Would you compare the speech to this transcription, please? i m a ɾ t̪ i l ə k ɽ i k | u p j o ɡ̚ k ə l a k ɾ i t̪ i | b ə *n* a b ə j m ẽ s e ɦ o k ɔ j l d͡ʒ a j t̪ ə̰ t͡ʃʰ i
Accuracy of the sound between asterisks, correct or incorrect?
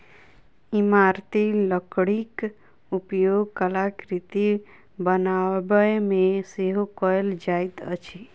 correct